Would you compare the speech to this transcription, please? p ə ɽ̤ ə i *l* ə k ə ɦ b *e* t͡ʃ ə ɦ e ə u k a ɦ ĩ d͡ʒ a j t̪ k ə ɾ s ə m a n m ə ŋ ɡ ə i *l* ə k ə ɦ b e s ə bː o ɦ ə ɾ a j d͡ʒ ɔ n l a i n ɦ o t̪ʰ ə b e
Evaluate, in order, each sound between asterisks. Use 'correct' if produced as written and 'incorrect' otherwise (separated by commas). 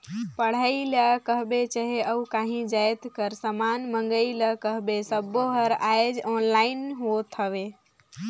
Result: correct, correct, correct